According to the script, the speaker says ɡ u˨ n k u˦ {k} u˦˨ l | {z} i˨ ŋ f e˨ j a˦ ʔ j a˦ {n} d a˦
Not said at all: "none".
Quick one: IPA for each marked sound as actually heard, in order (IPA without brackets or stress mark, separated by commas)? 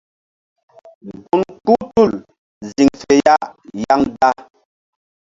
t, z, ŋ